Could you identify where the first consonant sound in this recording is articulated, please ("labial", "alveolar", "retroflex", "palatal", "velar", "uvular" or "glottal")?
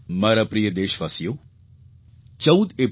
labial